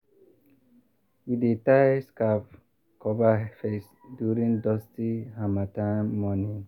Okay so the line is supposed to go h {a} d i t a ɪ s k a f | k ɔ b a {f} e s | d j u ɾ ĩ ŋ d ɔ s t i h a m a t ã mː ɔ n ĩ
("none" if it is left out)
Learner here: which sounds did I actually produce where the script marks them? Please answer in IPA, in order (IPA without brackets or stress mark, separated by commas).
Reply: i, f